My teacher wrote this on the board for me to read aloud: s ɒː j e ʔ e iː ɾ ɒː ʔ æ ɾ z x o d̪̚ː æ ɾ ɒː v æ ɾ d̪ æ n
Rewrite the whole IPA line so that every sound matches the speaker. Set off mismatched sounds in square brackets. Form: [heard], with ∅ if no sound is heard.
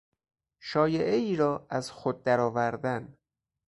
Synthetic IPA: [ʃ] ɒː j e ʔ e iː ɾ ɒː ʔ æ [∅] z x o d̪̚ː æ ɾ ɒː v æ ɾ d̪ æ n